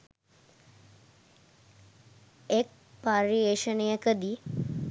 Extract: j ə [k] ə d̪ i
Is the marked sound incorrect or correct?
correct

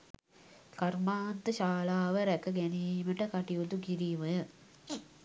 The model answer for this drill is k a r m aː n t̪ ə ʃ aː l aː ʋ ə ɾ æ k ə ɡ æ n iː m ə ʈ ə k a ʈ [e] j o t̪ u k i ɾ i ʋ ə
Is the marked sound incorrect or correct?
incorrect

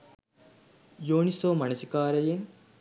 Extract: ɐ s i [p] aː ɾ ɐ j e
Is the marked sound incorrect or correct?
incorrect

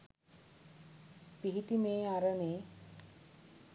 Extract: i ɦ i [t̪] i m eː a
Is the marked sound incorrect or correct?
correct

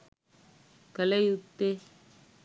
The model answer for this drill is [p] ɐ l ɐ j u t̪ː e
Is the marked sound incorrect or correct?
incorrect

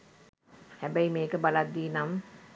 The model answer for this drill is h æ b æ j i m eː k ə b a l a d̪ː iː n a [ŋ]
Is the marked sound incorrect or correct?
incorrect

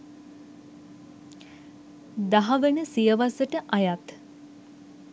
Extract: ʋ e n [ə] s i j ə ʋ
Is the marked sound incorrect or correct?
correct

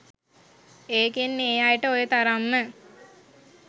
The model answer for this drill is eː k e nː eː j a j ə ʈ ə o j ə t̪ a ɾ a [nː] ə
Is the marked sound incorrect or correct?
incorrect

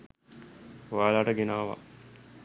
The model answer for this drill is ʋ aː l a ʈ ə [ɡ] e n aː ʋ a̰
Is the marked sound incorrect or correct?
correct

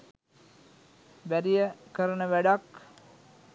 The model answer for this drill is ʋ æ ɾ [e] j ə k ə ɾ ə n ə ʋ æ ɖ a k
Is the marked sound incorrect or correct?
incorrect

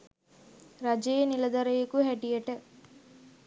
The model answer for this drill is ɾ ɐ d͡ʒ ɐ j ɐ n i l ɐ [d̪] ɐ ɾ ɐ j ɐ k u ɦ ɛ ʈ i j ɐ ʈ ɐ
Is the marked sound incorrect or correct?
correct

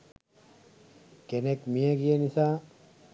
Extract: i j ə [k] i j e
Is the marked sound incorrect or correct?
incorrect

